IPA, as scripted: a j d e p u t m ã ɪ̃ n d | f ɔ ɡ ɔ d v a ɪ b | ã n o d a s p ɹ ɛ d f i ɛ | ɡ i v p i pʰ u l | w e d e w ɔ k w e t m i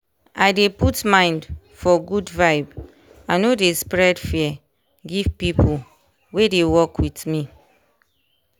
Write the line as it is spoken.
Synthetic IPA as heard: a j d e p u t m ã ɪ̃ n d | f ɔ ɡ u d v a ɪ b | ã n o d e s p ɹ ɛ d f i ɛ | ɡ i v p i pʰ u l | w e d e w ɔ k w i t m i